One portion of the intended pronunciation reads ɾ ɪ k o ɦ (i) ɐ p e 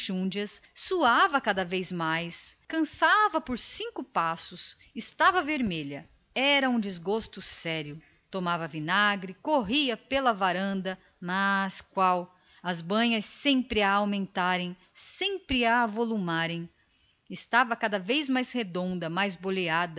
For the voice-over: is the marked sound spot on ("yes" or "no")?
yes